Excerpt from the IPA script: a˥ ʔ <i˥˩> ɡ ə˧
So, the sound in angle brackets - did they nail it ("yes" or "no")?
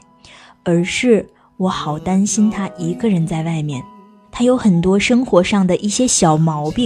no